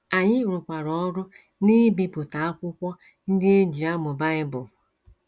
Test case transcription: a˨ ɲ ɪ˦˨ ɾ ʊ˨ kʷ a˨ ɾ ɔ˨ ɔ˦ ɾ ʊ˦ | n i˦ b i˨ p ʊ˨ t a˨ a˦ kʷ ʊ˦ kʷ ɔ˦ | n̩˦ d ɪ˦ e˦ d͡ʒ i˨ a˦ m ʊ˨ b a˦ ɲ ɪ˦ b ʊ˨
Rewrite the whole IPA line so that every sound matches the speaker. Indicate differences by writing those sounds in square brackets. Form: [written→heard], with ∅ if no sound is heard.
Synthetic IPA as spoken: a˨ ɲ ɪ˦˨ ɾ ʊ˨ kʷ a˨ ɾ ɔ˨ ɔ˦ ɾ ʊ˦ | n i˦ b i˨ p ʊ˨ t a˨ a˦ kʷ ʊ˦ kʷ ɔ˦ | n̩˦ d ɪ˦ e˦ d͡ʒ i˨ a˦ m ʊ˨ b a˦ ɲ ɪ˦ b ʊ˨